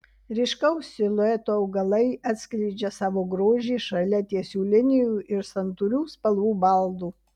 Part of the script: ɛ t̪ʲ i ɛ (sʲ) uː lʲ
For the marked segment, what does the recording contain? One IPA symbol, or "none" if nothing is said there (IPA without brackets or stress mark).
sʲ